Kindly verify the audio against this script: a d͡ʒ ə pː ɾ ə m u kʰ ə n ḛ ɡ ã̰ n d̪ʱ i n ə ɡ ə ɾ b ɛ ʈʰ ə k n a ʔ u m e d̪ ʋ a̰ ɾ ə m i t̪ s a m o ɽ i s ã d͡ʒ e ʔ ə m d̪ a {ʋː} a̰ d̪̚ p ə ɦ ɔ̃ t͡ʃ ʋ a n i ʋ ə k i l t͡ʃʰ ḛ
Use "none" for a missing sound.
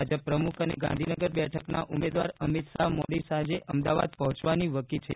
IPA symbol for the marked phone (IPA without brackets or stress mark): ʋ